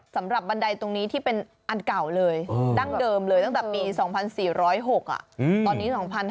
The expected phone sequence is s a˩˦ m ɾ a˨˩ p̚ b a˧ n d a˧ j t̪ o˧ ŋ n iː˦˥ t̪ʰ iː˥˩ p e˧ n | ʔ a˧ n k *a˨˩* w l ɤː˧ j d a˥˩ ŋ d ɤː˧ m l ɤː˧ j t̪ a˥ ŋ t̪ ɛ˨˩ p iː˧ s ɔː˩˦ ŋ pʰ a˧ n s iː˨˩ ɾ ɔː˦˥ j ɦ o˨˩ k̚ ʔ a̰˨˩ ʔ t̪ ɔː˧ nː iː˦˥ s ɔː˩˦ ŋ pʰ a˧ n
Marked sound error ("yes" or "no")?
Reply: no